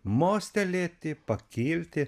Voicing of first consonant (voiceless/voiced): voiced